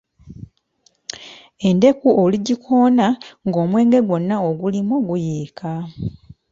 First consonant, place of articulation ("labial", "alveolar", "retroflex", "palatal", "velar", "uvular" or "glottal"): alveolar